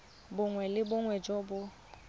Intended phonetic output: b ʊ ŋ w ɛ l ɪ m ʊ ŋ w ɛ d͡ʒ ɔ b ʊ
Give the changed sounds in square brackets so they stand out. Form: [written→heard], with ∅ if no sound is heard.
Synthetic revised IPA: b ʊ ŋ w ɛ l ɪ [m→b] ʊ ŋ w ɛ d͡ʒ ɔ b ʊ